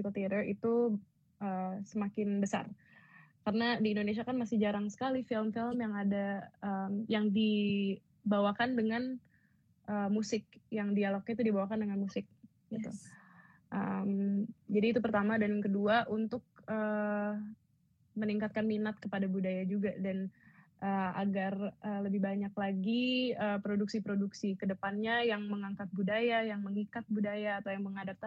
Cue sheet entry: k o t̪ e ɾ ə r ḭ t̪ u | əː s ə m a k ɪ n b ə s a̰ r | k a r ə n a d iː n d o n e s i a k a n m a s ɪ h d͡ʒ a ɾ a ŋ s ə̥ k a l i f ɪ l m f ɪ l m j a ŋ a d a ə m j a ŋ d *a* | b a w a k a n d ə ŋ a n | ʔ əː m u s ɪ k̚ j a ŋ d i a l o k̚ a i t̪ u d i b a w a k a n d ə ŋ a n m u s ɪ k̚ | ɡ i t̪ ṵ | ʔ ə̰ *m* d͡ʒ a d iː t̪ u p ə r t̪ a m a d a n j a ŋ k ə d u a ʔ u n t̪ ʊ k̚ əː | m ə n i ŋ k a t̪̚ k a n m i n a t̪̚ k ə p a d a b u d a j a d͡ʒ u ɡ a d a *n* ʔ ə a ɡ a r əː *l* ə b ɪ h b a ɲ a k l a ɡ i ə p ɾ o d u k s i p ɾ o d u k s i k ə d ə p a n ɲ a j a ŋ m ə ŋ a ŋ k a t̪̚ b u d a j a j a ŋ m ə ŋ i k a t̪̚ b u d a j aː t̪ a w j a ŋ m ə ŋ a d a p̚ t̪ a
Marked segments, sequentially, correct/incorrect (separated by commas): incorrect, correct, correct, correct